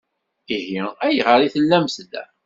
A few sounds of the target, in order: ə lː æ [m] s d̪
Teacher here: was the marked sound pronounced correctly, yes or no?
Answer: yes